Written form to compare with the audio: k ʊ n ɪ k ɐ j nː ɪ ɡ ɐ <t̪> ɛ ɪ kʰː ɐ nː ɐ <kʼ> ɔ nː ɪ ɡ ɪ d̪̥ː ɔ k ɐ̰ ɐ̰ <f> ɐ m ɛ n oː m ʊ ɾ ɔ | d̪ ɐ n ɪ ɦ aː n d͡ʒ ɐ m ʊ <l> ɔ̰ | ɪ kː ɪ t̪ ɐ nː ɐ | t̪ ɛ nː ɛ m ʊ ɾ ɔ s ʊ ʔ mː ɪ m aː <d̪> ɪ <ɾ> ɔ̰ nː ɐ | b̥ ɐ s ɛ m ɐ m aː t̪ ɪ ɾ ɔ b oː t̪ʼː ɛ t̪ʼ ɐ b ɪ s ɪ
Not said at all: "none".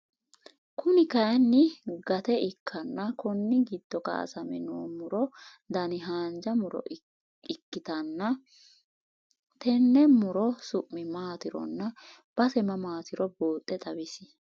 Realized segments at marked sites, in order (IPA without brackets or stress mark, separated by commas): t̪, k, s, ɾ, t̪, ɾ